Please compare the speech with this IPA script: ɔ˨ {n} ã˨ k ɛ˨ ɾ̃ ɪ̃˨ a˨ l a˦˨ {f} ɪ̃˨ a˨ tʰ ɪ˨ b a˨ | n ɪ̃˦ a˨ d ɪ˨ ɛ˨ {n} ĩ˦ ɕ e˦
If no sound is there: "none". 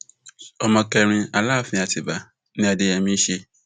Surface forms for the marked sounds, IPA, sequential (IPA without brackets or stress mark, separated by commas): m, f, m